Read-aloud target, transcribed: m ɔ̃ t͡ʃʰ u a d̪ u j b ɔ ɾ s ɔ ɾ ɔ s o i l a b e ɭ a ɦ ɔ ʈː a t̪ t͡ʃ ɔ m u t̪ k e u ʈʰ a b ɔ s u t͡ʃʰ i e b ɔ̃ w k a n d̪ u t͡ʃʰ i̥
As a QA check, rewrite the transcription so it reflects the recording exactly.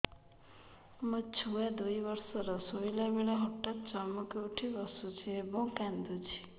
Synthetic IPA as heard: m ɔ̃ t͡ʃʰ u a d̪ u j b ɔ ɾ s ɔ ɾ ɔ s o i l a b e ɭ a ɦ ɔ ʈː a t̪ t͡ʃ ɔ m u k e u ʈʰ i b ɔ s u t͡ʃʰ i e b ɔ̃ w k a n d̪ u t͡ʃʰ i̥